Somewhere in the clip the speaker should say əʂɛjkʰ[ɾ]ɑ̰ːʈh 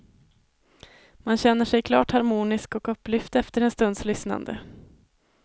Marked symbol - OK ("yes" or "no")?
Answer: no